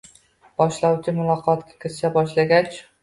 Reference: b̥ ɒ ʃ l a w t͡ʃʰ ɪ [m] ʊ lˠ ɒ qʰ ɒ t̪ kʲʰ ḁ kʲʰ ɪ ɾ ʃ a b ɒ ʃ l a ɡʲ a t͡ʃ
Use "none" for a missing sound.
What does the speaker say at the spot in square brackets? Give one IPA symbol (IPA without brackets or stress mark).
m